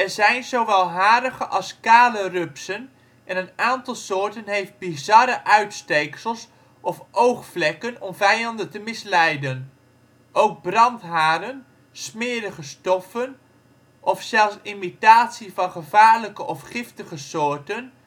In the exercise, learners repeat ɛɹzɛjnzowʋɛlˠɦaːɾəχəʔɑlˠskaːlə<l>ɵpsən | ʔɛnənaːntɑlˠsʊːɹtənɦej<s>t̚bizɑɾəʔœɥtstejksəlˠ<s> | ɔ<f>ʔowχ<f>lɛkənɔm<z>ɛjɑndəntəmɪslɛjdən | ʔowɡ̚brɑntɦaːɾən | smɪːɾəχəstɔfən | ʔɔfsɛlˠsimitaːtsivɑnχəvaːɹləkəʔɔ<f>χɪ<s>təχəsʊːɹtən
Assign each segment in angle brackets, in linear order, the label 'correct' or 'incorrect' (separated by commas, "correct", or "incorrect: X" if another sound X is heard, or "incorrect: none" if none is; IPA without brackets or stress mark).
incorrect: r, incorrect: f, correct, correct, correct, incorrect: v, correct, incorrect: f